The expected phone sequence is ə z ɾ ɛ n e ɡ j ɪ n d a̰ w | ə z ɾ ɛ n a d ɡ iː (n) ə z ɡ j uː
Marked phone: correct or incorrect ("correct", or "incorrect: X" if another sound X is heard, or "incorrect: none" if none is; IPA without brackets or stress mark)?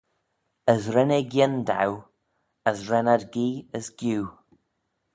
incorrect: none